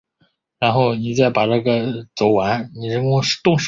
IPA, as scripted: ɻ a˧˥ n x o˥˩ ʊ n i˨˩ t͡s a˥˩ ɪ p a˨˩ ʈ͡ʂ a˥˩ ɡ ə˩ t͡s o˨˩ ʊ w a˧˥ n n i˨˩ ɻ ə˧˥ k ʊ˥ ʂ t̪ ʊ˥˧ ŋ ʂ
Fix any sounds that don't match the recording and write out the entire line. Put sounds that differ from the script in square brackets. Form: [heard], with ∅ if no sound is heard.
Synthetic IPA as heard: ɻ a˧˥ n x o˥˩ ʊ n i˨˩ t͡s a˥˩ ɪ p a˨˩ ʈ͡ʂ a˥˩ ɡ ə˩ t͡s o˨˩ ʊ w a˧˥ n n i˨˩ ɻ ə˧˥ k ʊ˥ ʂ t̪ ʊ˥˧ ŋ ʂ

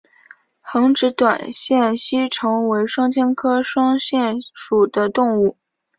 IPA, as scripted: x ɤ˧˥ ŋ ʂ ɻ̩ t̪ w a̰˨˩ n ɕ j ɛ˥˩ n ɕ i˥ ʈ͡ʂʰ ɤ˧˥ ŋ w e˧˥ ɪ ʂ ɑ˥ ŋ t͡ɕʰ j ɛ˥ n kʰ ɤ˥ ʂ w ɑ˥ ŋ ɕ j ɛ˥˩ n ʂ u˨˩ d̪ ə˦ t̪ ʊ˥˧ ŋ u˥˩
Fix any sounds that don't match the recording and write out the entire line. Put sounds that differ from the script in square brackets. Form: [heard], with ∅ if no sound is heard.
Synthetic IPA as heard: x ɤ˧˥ ŋ [ʈ͡ʂ] ɻ̩ t̪ w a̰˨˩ n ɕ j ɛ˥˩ n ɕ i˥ ʈ͡ʂʰ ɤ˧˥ ŋ w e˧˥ ɪ ʂ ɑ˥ ŋ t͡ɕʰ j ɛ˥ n kʰ ɤ˥ ʂ w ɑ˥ ŋ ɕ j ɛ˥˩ n ʂ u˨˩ d̪ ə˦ t̪ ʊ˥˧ ŋ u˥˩

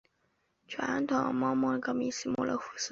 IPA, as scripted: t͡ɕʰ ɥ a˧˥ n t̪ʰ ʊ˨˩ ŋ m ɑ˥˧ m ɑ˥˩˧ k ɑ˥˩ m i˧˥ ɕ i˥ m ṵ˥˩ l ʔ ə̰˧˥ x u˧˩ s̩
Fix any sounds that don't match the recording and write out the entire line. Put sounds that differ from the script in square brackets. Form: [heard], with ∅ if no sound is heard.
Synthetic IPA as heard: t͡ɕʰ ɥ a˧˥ n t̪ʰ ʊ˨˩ ŋ m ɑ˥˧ m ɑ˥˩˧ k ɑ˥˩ m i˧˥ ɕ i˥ m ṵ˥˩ l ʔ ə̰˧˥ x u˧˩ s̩

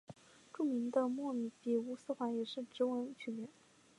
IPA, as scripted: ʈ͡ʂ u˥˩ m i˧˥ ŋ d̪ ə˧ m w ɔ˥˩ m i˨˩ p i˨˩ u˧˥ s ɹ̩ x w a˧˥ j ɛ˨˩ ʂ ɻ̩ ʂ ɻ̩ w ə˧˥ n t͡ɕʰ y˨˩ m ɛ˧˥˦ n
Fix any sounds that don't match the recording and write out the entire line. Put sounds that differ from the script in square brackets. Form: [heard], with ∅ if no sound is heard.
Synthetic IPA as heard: ʈ͡ʂ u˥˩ m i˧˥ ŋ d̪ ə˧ m w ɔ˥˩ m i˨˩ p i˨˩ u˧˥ s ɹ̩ x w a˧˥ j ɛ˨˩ ʂ ɻ̩ [ʈ͡ʂ] ɻ̩ w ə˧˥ n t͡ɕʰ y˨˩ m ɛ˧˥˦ n

